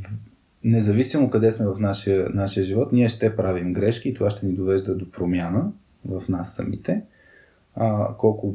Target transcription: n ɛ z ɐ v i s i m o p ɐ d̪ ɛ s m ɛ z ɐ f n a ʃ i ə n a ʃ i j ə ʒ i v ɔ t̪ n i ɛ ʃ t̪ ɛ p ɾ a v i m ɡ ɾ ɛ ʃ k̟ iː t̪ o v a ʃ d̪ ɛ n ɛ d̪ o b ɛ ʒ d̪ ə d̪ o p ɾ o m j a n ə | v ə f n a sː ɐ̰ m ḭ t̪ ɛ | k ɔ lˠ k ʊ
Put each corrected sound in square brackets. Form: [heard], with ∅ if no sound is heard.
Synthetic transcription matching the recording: n ɛ z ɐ v i s i m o [k] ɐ d̪ ɛ s m ɛ [v] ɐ f n a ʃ i ə n a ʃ i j ə ʒ i v ɔ t̪ n i ɛ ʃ t̪ ɛ p ɾ a v i m ɡ ɾ ɛ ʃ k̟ iː t̪ o v a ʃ [t̪] ɛ n [i] d̪ o [v] ɛ ʒ d̪ ə d̪ o p ɾ o m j a n ə | v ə f n a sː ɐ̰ m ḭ t̪ ɛ | k ɔ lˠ k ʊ